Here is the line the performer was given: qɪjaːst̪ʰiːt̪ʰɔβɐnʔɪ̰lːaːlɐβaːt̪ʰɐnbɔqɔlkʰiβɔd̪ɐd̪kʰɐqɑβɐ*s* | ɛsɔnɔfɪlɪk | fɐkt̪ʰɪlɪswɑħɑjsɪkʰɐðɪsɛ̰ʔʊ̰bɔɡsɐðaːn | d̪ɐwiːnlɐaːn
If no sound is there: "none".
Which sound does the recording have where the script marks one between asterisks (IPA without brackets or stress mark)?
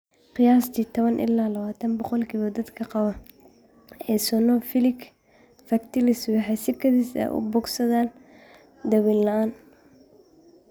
none